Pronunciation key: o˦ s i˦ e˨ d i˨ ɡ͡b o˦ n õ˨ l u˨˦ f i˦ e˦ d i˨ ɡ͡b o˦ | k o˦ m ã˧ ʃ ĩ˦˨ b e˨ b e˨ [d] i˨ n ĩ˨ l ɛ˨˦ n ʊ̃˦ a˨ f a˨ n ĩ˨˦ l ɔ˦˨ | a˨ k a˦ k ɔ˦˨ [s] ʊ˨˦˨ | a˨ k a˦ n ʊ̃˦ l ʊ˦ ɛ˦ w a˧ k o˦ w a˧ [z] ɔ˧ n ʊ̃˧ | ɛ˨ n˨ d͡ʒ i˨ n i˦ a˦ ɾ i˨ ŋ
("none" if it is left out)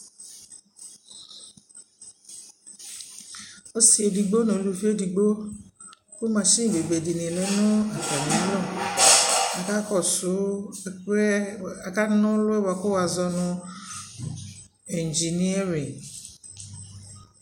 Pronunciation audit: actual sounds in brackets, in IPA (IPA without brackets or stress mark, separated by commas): d, s, z